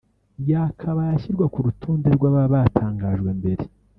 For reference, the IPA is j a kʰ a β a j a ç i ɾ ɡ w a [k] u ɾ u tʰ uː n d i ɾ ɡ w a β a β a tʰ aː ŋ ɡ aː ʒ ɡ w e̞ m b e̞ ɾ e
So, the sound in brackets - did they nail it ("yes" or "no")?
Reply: yes